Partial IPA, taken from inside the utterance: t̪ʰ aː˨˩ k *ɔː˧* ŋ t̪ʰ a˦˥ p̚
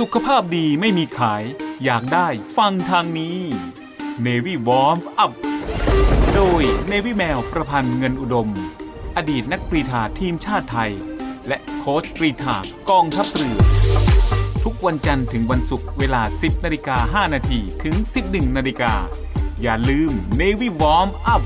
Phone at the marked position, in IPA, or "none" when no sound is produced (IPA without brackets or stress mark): ɔː˧